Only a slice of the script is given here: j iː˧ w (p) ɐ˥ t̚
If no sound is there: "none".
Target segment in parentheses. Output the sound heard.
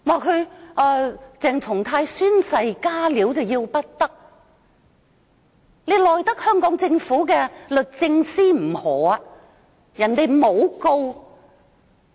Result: p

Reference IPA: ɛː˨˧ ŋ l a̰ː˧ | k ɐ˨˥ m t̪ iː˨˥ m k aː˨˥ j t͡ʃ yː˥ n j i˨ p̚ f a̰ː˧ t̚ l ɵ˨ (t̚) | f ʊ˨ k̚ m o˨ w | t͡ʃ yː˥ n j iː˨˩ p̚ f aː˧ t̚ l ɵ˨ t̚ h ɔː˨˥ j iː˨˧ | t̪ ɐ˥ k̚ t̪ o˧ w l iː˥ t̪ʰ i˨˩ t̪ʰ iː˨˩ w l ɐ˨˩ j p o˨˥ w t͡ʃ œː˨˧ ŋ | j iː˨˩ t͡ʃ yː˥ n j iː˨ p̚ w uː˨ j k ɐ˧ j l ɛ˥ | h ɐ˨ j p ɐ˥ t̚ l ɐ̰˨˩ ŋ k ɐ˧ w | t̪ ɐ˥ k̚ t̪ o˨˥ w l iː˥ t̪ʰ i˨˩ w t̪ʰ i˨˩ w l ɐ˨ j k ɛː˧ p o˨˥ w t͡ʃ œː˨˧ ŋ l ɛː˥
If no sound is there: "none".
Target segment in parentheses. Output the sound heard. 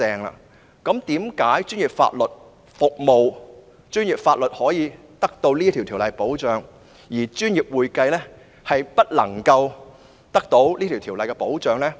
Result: t̚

